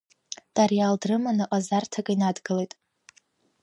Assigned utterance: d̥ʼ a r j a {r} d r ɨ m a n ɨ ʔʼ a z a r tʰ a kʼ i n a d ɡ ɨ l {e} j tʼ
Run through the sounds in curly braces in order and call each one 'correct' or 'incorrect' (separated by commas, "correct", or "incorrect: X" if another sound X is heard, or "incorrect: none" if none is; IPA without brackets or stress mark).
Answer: incorrect: l, correct